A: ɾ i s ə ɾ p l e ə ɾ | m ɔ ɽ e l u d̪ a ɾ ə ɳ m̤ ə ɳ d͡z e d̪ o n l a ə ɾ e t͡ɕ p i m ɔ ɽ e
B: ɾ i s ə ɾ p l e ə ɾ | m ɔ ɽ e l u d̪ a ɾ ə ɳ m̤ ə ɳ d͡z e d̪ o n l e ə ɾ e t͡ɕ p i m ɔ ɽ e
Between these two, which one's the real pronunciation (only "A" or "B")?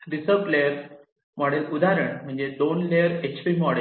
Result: B